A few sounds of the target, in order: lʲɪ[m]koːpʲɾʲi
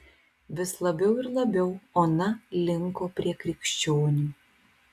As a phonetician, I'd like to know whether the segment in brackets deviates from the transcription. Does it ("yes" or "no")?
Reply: yes